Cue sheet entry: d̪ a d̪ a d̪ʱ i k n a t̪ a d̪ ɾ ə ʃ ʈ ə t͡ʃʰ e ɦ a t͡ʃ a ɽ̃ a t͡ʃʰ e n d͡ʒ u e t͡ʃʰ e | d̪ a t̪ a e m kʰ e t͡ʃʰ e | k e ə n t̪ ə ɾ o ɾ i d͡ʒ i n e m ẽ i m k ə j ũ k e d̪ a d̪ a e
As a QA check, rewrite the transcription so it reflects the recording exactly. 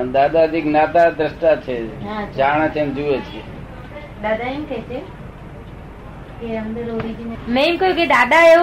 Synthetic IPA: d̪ a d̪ a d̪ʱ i k n a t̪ a d̪ ɾ ə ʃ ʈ a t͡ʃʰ e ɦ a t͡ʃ a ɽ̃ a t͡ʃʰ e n d͡ʒ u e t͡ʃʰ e | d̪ a d̪ a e m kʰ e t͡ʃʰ e | k e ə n d̪ ə ɾ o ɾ i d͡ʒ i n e m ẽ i m k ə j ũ k e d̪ a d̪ a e